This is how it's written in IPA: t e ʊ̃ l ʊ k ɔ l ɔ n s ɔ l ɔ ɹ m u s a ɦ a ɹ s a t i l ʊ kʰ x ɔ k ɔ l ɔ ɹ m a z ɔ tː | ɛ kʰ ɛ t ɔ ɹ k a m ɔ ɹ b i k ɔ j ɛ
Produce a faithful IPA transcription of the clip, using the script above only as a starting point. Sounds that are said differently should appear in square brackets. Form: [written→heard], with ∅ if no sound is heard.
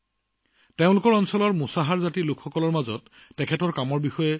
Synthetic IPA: t e ʊ̃ l ʊ k ɔ [l→ɹ] ɔ n s ɔ l ɔ ɹ m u s a ɦ a ɹ [s→z] a t i l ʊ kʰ x ɔ k ɔ l ɔ ɹ m a z ɔ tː | ɛ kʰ ɛ t ɔ ɹ k a m ɔ ɹ b i [k→x] ɔ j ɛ